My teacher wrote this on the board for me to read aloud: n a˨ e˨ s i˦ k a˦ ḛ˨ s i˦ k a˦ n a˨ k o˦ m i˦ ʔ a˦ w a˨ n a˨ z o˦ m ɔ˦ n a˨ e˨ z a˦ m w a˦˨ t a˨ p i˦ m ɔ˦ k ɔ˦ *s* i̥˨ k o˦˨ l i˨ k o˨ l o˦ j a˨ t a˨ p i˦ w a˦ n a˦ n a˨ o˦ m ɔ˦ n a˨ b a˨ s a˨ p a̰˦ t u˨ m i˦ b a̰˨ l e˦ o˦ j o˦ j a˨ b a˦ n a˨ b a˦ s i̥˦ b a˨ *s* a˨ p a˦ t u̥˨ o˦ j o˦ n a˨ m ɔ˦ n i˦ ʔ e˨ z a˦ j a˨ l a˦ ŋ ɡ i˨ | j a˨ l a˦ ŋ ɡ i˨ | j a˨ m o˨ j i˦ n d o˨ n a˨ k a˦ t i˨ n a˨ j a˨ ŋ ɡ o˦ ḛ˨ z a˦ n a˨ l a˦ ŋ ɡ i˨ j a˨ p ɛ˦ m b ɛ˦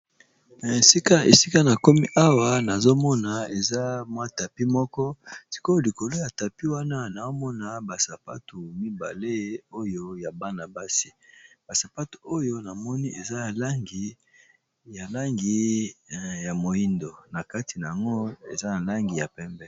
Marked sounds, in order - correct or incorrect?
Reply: correct, correct

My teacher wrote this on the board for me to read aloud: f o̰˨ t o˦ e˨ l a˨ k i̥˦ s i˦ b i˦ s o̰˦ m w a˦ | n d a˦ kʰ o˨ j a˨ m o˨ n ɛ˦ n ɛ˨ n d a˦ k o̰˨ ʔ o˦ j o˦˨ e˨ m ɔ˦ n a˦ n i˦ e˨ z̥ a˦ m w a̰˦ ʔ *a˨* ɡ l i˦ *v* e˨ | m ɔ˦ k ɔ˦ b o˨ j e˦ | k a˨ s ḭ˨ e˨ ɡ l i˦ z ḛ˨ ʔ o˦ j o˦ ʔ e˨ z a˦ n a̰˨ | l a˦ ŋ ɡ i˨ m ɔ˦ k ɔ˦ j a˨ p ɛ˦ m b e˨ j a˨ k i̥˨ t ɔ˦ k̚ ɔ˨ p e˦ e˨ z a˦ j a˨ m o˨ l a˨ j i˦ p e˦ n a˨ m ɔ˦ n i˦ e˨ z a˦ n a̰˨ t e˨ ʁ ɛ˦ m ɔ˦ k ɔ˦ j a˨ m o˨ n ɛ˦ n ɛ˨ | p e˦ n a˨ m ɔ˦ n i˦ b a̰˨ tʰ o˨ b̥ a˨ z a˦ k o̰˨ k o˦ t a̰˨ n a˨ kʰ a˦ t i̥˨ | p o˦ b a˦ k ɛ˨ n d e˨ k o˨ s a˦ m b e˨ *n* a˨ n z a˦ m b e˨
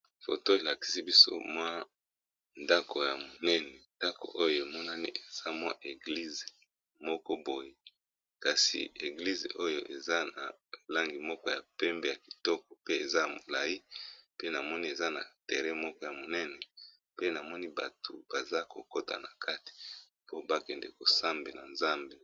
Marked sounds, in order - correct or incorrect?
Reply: incorrect, incorrect, correct

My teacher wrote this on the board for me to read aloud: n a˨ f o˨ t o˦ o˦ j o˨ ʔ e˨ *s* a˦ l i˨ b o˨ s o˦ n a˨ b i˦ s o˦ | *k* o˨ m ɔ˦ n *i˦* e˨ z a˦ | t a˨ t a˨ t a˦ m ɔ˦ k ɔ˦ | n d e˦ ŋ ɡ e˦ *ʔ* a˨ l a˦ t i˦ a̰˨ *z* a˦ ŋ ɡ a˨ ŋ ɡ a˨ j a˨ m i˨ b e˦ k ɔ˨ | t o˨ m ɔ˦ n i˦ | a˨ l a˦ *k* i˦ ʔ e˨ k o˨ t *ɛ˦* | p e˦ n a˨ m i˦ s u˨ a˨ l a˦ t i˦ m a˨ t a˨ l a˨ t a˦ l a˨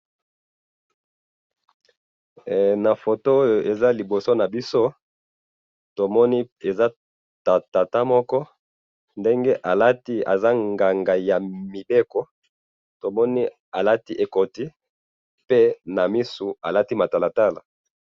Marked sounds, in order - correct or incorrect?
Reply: incorrect, incorrect, correct, correct, correct, incorrect, incorrect

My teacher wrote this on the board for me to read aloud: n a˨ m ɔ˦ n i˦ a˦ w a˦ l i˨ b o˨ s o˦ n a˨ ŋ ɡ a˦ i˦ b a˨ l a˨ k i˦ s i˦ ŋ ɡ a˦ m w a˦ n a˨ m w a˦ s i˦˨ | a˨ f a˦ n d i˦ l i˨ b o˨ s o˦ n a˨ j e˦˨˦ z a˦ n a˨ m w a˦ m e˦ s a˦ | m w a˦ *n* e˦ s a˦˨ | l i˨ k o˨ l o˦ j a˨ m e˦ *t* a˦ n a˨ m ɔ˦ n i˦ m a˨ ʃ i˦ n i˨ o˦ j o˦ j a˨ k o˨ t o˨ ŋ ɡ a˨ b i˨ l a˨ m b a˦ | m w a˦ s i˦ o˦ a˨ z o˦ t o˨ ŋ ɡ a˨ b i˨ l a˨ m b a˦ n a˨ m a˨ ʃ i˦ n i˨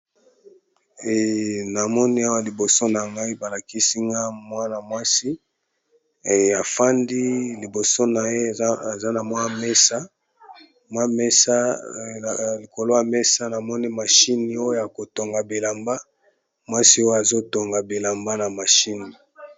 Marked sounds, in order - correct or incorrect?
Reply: incorrect, incorrect

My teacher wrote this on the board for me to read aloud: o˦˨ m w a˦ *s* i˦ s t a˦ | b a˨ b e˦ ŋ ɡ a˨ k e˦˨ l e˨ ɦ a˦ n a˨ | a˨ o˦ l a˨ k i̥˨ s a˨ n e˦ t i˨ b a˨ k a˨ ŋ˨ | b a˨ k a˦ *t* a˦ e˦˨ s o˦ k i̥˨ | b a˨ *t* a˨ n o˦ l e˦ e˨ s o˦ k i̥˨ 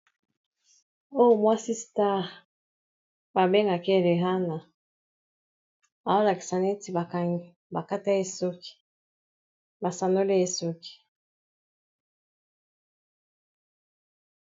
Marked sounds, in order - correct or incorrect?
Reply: correct, correct, incorrect

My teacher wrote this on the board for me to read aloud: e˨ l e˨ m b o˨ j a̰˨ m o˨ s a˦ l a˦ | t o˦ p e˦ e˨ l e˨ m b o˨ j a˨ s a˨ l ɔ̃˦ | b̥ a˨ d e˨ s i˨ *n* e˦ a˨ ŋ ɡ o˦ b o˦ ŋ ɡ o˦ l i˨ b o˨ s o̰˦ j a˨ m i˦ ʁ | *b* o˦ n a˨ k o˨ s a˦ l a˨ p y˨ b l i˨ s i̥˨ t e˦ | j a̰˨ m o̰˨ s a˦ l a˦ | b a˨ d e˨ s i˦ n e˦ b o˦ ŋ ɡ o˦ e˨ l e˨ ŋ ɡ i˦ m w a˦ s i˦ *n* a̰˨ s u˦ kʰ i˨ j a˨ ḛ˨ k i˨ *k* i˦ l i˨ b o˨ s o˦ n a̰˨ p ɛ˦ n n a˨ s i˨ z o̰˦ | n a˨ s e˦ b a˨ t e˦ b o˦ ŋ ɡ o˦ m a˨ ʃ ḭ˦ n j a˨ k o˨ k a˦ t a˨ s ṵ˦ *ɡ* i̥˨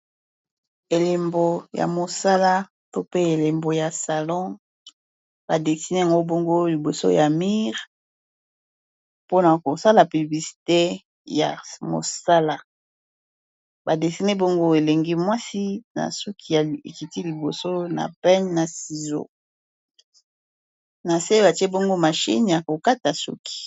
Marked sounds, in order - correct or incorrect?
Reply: correct, incorrect, correct, incorrect, incorrect

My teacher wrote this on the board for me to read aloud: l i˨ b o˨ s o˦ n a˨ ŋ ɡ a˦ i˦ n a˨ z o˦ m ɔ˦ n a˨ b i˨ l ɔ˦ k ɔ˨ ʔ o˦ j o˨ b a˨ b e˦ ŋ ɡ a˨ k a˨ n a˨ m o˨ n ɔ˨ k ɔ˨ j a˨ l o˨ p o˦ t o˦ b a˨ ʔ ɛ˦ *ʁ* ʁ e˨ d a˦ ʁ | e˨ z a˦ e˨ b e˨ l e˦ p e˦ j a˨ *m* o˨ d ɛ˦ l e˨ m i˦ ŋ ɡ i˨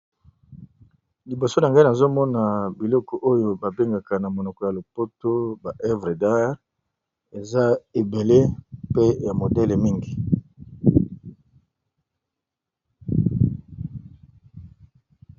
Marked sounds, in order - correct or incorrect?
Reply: incorrect, correct

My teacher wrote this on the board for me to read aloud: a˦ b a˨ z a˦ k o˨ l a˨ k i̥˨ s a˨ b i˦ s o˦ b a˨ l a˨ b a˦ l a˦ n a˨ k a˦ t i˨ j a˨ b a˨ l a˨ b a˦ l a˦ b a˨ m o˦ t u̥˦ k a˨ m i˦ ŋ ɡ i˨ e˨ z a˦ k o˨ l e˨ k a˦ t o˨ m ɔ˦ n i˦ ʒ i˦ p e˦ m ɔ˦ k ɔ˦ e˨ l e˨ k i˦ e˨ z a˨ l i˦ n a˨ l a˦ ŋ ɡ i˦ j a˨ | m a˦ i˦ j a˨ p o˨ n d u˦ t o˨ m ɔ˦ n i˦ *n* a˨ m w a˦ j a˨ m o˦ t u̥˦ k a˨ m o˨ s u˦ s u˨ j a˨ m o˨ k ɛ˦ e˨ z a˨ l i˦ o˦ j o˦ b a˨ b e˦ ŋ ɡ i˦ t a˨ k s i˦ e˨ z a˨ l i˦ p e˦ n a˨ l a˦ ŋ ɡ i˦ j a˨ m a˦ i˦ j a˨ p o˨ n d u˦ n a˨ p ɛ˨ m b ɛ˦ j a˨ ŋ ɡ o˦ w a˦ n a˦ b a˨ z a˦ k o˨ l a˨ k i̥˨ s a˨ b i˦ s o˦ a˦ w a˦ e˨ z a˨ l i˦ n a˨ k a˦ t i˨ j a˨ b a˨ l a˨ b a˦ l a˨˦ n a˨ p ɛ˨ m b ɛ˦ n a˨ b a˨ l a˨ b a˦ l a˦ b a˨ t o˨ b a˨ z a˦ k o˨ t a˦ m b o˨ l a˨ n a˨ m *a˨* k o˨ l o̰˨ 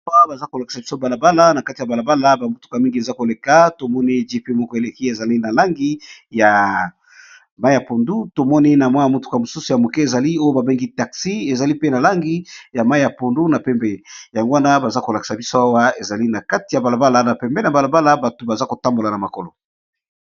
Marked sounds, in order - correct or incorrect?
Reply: correct, correct

